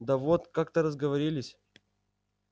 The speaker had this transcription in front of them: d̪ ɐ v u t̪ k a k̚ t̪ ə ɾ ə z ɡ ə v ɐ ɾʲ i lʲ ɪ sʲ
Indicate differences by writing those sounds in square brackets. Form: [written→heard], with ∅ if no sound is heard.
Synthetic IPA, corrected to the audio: d̪ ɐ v [u→o] t̪ k a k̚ t̪ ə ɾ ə z ɡ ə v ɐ ɾʲ i lʲ ɪ sʲ